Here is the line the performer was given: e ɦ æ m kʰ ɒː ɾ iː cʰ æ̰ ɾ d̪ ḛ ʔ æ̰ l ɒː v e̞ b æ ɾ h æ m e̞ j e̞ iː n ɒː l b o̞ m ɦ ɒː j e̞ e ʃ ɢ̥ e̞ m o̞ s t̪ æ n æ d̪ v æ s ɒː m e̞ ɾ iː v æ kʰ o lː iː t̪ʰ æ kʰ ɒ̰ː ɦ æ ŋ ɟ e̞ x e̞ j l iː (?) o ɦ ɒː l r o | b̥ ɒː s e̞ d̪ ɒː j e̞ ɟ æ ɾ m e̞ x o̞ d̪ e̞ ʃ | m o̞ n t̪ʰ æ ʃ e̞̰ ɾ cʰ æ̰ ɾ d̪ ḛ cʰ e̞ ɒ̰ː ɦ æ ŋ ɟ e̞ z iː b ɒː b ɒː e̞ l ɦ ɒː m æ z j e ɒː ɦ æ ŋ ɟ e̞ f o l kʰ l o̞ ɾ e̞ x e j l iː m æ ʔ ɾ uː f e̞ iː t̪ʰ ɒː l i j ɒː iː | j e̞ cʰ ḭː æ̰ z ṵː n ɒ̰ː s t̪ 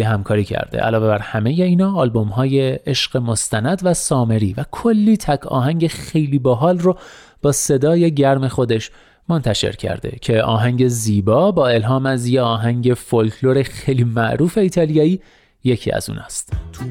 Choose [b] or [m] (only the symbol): b